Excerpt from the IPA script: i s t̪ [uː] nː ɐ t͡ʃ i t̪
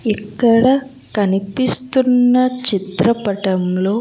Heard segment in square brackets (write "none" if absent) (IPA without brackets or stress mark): u